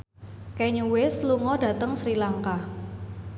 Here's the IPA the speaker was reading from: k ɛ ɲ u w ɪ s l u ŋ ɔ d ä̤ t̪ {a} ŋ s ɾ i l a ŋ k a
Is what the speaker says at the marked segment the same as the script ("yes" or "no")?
no